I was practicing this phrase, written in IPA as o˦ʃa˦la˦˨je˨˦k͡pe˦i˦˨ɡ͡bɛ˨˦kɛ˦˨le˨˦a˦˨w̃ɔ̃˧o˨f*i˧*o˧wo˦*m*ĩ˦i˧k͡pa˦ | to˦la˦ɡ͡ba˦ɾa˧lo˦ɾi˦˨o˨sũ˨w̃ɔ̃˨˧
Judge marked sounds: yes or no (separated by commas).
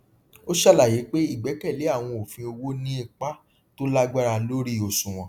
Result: no, no